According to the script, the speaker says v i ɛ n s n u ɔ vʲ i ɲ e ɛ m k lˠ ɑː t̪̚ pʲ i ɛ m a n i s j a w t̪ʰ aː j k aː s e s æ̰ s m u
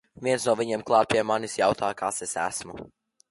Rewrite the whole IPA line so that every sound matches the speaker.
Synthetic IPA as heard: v i ɛ n s n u ɔ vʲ i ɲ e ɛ m k lˠ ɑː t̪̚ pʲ i ɛ m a n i s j a w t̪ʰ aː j k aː s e s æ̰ s m u